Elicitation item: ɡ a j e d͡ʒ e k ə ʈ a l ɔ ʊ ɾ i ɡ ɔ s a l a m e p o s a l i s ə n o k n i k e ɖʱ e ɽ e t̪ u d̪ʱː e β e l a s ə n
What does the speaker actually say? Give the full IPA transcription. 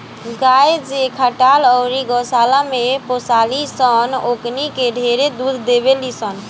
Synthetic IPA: ɡ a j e d͡ʒ e kʰ ə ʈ a l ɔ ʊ ɾ i ɡ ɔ s a l a m e p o s a l i s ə n o k n i k e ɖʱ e ɾ e d̪ u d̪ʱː e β e l i s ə n